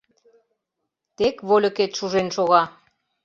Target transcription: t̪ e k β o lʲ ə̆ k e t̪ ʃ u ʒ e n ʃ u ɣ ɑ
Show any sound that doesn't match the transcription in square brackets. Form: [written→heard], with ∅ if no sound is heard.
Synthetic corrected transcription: t̪ e k β o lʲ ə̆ k e t̪ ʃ u ʒ e n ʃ [u→o] ɣ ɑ

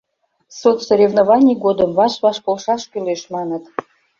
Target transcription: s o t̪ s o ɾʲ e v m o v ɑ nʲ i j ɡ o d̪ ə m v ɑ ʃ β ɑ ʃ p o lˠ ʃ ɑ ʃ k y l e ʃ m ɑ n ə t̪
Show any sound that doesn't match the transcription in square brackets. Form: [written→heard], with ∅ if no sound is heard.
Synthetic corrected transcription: s o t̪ s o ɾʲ e v [m→n] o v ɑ nʲ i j ɡ o d̪ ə m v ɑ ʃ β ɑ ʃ p o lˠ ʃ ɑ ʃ k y l e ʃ m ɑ n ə t̪

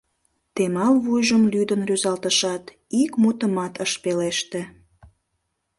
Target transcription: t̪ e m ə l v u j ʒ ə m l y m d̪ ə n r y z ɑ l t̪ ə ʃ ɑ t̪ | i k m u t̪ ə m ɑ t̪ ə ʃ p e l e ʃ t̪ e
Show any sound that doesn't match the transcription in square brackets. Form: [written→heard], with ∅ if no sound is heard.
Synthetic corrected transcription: t̪ e m [ə→ɑ] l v u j ʒ ə m l y [m→∅] d̪ ə n r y z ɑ l t̪ ə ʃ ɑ t̪ | i k m u t̪ ə m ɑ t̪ ə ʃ p e l e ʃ t̪ e

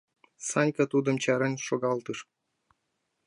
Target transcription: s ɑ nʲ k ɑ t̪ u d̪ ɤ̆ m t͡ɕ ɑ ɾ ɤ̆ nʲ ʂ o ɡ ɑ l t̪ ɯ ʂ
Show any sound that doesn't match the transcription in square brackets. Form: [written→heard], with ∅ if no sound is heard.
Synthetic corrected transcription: s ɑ nʲ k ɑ t̪ u d̪ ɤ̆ m t͡ɕ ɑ ɾ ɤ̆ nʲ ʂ o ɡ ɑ l t̪ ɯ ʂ

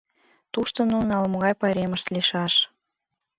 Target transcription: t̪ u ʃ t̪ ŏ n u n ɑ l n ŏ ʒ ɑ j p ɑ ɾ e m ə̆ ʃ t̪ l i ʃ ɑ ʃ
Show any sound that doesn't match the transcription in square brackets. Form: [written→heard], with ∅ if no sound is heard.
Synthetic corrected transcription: t̪ u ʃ t̪ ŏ n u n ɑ l [n→m] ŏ [ʒ→ɣ] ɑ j p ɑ ɾ e m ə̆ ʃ t̪ l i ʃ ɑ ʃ

